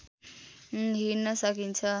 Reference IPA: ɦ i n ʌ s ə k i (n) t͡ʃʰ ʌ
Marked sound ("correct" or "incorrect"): correct